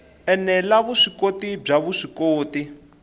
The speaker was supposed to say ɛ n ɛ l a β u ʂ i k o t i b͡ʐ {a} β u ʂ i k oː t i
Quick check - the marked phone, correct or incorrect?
correct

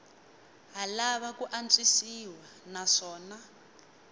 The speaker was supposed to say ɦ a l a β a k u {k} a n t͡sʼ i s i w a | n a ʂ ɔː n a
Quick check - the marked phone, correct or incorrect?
incorrect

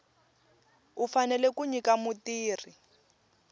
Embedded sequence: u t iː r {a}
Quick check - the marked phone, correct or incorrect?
incorrect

